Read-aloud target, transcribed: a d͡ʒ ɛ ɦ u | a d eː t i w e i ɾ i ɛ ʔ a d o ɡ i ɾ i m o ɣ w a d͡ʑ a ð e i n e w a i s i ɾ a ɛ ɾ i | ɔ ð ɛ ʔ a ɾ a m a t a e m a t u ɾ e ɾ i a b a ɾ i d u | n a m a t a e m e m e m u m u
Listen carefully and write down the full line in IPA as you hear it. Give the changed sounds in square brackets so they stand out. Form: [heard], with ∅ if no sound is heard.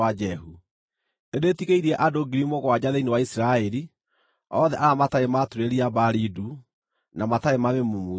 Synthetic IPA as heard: a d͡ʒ ɛ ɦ u | [e] d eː t i [ɣ] e i ɾ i ɛ ʔ a d o ɡ i ɾ i m o ɣ w a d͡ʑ a ð e i n e w a i s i ɾ a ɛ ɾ i | ɔ ð ɛ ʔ a ɾ a m a t a e m a t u ɾ e ɾ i a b a ɾ i d u | n a m a t a e m [a] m e m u m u